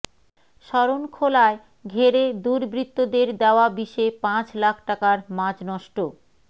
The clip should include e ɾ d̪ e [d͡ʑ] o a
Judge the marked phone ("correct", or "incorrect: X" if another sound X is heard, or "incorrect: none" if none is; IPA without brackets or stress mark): incorrect: none